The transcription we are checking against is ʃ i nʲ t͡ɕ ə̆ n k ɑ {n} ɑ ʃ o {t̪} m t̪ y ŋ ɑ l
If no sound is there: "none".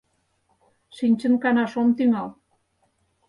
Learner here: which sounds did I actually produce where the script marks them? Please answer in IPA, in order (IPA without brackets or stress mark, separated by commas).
n, none